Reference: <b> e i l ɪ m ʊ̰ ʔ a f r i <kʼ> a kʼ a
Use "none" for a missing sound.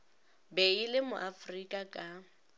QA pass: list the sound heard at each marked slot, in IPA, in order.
b, kʼ

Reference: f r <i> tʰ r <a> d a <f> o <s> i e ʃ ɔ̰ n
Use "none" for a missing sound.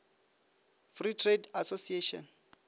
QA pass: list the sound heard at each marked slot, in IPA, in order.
i, e, s, s

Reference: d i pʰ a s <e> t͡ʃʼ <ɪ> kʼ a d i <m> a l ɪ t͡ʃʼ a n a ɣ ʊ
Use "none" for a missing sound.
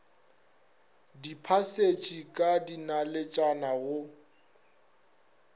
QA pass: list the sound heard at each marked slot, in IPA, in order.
e, i, n

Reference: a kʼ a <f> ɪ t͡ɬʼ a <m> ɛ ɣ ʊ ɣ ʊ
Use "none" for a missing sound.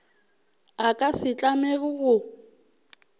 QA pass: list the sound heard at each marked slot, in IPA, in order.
s, m

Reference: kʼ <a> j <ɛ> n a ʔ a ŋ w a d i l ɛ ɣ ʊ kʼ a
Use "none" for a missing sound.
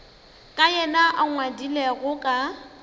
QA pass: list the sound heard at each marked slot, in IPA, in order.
a, ɛ

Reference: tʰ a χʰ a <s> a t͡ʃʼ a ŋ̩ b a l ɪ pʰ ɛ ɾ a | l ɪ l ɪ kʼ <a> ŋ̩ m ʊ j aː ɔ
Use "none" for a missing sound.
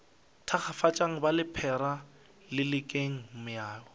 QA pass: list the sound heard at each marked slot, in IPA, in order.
f, e

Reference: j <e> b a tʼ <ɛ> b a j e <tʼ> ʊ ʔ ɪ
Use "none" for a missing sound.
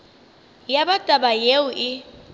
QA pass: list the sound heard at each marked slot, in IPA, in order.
a, a, none

